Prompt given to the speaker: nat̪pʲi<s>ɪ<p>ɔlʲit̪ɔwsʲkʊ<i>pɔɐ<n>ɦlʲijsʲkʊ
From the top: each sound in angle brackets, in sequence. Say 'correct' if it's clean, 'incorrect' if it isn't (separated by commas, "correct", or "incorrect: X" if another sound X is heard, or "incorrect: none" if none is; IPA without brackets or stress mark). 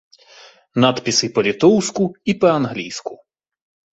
correct, correct, correct, correct